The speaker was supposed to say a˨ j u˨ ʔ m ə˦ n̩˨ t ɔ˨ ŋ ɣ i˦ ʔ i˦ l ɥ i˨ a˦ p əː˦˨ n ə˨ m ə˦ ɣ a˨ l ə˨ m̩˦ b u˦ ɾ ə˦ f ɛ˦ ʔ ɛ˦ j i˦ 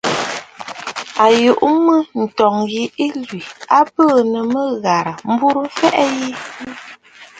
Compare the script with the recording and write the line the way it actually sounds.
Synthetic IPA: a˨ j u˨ ʔ m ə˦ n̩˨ t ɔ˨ ŋ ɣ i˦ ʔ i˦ l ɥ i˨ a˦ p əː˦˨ n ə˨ m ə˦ ɣ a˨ ɾ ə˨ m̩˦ b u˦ ɾ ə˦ f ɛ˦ ʔ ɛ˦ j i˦